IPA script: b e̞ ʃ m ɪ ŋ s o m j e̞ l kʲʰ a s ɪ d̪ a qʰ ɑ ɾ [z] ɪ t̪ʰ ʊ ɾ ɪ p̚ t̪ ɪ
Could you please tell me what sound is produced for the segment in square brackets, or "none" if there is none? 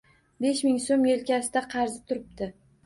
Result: z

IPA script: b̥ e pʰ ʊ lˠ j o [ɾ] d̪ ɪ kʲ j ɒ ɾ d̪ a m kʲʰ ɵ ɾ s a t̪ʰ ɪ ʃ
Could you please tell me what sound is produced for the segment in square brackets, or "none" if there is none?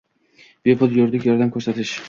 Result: ɾ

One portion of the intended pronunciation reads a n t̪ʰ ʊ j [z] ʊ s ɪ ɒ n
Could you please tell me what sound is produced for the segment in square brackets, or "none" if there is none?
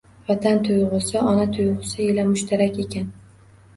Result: ʁ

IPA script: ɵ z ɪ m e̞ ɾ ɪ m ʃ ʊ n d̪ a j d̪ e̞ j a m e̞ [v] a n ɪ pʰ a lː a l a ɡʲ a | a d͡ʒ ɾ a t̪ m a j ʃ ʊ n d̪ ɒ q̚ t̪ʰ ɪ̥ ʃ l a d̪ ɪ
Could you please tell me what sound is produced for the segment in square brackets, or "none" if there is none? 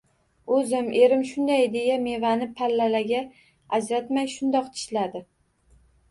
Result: v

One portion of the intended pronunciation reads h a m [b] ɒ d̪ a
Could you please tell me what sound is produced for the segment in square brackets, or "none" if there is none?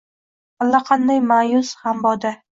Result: b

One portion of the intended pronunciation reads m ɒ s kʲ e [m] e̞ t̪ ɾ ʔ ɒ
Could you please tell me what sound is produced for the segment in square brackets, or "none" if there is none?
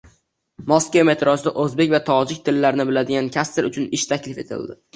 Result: m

